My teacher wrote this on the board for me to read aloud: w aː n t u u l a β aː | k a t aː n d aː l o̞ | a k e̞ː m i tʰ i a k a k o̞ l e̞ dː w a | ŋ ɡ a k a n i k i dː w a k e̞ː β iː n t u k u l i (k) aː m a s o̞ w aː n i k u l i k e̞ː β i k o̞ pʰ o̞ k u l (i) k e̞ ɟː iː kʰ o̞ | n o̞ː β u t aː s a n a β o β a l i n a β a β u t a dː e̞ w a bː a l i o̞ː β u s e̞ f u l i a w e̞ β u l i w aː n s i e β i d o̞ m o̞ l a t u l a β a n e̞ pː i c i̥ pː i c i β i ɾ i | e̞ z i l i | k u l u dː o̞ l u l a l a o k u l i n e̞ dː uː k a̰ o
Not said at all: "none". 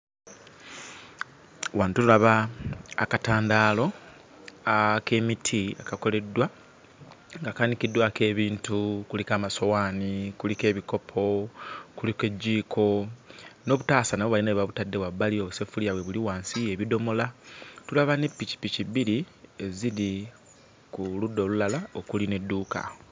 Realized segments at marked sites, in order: k, i

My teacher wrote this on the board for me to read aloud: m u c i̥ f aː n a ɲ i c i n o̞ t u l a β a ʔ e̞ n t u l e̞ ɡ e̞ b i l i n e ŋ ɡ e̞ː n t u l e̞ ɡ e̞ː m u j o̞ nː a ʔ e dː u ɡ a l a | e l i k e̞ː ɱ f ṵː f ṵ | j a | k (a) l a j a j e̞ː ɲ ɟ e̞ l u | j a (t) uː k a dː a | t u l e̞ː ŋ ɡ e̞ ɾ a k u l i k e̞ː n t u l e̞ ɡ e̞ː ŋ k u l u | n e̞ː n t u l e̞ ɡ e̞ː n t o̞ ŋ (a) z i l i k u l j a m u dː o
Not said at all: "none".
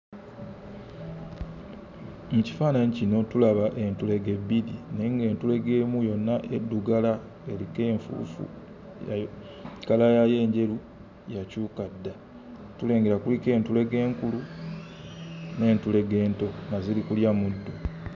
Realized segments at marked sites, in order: a, c, a

